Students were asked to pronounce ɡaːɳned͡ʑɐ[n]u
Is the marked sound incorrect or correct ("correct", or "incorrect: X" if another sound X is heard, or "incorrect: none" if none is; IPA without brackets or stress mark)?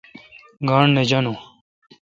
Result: correct